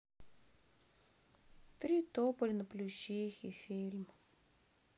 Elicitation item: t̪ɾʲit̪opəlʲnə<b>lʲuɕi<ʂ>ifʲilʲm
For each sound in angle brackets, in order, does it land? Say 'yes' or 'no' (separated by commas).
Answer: no, no